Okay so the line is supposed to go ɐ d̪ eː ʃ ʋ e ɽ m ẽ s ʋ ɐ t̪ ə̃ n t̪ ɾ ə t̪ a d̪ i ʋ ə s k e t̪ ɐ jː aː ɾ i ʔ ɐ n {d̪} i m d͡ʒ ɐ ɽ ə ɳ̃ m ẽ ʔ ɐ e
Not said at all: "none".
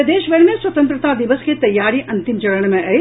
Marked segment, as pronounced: t̪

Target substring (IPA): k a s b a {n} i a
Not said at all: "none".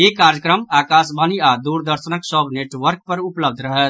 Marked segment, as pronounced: n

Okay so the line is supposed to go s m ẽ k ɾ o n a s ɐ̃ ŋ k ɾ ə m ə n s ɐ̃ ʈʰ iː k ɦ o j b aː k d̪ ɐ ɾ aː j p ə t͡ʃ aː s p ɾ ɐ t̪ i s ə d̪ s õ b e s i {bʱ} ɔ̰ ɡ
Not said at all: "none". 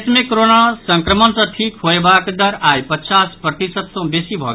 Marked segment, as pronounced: bʱ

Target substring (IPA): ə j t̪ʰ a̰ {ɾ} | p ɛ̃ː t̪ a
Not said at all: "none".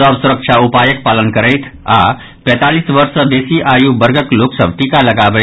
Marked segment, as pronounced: none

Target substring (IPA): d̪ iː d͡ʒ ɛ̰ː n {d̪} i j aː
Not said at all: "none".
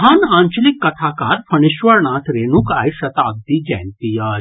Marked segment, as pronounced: t̪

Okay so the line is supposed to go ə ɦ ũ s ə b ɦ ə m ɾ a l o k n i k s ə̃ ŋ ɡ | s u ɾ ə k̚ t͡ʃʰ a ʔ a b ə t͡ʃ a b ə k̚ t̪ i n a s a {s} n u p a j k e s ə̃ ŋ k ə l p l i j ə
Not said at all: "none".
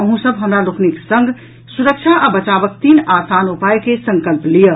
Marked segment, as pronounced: none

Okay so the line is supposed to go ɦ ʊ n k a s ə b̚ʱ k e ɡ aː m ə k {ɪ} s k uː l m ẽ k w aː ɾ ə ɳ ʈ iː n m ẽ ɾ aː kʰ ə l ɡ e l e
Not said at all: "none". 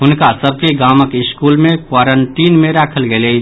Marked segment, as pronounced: ɪ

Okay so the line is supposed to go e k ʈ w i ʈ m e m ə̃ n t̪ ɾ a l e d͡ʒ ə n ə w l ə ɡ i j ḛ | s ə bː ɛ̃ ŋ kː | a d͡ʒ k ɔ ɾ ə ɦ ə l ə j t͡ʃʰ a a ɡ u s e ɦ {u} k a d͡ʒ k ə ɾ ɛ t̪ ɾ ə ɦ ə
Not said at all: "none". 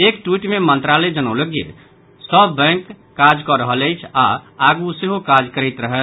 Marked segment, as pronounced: o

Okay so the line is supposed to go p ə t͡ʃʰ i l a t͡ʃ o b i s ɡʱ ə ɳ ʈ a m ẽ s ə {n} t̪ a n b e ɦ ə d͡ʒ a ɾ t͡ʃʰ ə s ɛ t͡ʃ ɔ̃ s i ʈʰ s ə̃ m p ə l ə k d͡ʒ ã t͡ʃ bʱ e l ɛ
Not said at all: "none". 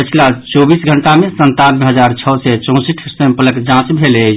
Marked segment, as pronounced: n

